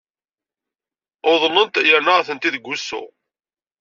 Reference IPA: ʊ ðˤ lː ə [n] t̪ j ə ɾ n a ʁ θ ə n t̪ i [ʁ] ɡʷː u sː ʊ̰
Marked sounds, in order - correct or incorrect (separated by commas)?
correct, incorrect